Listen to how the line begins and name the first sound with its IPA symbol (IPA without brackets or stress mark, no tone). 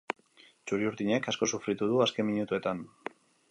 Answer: t͡ʃ